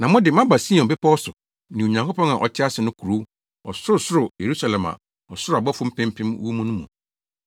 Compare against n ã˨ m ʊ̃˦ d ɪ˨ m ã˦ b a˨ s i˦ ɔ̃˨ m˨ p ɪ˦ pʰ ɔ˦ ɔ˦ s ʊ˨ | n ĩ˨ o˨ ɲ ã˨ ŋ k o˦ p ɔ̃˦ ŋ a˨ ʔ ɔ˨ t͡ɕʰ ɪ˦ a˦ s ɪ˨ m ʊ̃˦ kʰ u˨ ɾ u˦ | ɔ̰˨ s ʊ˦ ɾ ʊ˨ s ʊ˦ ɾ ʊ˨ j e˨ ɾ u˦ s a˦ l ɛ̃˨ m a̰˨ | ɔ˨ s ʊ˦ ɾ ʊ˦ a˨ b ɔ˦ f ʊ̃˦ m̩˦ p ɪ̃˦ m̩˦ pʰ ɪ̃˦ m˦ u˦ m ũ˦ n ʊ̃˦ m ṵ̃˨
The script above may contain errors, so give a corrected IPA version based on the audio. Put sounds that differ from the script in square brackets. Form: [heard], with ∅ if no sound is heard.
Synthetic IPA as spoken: n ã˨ m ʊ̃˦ d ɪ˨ m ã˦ b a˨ s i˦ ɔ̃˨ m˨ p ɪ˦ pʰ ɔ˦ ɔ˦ s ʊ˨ | n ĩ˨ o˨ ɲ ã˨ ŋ k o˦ p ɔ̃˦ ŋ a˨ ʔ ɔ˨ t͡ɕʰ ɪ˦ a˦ s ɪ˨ [n] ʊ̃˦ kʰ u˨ ɾ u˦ | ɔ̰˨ s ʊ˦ ɾ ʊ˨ s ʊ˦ ɾ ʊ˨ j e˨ ɾ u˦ s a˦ l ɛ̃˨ m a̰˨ | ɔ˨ s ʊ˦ ɾ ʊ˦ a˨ b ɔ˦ f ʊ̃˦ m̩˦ p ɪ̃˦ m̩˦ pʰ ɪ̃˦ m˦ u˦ m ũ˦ n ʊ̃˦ m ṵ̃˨